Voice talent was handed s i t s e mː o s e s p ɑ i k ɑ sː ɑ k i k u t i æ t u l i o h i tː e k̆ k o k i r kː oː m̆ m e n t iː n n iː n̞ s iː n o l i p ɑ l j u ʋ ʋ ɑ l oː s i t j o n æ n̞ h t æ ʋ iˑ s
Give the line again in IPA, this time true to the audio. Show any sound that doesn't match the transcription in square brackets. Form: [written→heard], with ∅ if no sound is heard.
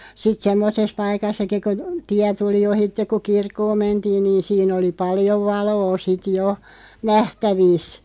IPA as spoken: s i t s e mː o s e s p ɑ i k ɑ sː ɑ k i k u t i æ t u l i o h i tː e k̆ k [o→u] k i r kː oː m̆ m e n t iː n n iː n̞ s iː n o l i p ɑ l j [u→o] ʋ ʋ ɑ l oː s i t j o n æ [n̞→∅] h t æ ʋ iˑ s